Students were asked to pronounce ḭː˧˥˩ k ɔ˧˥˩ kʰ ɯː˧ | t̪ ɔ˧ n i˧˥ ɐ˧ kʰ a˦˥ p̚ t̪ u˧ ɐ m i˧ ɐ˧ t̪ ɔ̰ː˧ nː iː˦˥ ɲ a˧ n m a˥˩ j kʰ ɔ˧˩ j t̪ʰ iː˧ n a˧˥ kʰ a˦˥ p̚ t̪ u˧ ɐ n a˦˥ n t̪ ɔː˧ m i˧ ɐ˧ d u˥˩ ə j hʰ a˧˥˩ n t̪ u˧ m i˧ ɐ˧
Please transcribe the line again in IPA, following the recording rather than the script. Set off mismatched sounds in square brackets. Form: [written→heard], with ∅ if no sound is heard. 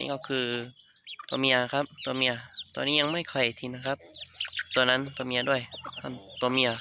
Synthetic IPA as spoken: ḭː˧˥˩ k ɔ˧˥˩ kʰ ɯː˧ | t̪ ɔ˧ [n→m] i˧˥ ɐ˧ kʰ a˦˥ p̚ t̪ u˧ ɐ m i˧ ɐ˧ t̪ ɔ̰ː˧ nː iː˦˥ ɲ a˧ [n→ŋ] m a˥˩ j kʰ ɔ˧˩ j t̪ʰ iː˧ n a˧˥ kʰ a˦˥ p̚ t̪ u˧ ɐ n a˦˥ n t̪ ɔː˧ m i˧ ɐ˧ d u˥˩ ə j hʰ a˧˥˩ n t̪ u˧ m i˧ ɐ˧

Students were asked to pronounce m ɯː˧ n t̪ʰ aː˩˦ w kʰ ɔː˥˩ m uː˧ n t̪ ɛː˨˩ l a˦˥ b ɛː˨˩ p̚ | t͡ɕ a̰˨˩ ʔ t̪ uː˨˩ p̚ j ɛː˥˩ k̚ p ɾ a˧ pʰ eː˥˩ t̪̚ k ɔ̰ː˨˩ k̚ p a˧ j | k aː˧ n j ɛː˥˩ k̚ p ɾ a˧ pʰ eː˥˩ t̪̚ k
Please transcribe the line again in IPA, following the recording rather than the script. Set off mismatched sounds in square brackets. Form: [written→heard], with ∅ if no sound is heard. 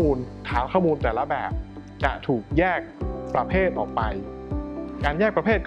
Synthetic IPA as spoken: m [ɯː˧→uː˧] n t̪ʰ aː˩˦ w kʰ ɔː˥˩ m uː˧ n t̪ ɛː˨˩ l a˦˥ b ɛː˨˩ p̚ | t͡ɕ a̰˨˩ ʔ [t̪→t̪ʰ] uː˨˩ [p̚→k̚] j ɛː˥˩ k̚ p ɾ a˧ pʰ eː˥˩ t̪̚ [k→ʔ] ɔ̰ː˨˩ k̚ p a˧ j | k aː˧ n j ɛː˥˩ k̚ p ɾ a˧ pʰ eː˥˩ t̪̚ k

